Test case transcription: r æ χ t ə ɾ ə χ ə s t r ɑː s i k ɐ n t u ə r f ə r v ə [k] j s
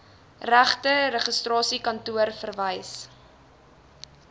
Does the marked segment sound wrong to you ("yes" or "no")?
yes